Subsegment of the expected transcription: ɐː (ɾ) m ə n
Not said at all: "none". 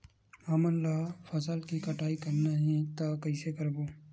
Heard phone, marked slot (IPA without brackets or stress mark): none